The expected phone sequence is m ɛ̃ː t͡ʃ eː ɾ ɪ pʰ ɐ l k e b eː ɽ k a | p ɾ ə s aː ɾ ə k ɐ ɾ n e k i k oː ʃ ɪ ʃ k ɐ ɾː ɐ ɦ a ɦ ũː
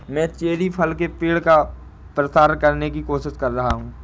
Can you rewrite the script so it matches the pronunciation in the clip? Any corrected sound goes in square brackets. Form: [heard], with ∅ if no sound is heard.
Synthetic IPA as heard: m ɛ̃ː t͡ʃ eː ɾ [i] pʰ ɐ l k e [p] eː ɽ k a | p ɾ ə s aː ɾ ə k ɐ ɾ n e k i k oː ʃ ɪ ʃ k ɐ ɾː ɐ ɦ a ɦ ũː